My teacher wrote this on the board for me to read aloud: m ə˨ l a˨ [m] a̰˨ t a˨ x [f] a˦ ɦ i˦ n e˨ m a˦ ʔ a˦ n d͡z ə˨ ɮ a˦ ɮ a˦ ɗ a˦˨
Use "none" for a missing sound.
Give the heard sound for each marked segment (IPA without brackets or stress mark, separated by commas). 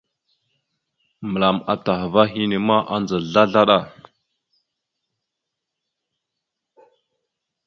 m, v